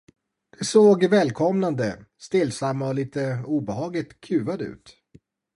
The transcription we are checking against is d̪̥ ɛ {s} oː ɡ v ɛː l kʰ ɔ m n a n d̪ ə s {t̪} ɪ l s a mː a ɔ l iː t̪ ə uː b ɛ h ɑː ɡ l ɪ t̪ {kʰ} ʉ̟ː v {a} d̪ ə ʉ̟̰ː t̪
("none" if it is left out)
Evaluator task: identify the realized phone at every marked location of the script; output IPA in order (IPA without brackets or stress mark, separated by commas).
s, t̪, kʰ, a